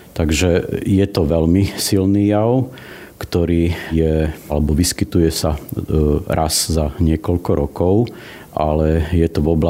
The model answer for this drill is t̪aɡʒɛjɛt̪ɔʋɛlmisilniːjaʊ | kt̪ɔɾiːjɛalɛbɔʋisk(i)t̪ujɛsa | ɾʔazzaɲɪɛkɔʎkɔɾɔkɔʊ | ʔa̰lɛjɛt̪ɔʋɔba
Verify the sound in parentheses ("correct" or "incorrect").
correct